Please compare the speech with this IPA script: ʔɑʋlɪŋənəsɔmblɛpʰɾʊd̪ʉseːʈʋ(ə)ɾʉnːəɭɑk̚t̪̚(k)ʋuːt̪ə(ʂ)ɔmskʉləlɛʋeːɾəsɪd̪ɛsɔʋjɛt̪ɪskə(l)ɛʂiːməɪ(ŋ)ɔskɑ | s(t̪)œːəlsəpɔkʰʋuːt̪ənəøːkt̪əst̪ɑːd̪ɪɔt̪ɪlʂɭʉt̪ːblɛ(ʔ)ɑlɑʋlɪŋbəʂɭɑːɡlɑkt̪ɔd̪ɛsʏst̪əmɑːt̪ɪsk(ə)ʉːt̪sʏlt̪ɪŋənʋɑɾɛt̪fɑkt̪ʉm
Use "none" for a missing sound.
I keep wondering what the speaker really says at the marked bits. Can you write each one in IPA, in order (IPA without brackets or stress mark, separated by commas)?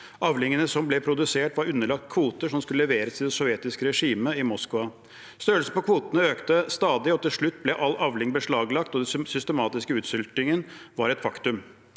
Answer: ɑ, kʰ, ʂ, ɾ, m, t̪, ʔ, ə